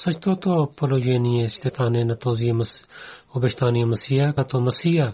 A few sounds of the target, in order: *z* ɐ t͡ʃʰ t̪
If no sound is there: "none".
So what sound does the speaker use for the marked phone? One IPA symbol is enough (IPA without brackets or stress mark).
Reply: s